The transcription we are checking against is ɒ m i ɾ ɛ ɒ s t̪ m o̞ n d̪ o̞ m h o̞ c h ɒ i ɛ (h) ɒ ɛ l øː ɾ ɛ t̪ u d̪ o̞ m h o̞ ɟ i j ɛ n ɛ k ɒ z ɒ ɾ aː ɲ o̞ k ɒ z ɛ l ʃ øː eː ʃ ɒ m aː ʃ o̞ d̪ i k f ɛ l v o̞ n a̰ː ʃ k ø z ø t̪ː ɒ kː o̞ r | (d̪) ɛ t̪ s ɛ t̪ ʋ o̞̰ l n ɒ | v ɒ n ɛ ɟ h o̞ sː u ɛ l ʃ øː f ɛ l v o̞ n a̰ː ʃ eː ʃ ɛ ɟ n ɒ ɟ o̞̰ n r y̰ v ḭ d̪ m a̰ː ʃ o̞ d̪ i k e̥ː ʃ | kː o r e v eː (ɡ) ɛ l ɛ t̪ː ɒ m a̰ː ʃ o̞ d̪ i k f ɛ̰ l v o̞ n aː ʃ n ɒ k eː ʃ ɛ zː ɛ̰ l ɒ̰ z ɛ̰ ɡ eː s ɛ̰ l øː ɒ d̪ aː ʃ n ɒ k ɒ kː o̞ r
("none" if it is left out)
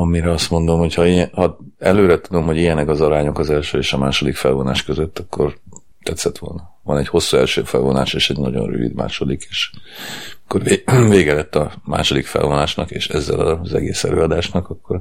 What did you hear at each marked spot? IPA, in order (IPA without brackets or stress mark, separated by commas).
h, t̪, ɡ